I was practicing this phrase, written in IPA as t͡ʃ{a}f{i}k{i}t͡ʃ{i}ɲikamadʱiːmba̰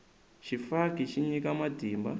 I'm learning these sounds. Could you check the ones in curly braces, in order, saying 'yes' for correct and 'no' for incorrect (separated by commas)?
no, no, yes, yes